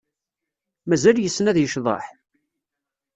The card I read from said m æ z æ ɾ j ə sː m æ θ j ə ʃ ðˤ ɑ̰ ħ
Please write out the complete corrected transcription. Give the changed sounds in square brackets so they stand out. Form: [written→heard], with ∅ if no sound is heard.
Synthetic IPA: m æ z æ [ɾ→l] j ə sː [m→n] æ [θ→ð] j ə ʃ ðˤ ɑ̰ ħ